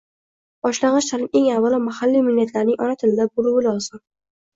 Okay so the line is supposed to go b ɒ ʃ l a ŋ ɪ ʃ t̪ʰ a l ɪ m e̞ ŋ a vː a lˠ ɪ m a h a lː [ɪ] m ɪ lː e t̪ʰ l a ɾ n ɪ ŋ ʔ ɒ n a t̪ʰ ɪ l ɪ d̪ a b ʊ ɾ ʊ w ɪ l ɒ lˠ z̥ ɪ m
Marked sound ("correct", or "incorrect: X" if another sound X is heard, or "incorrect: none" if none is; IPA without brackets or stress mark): incorrect: i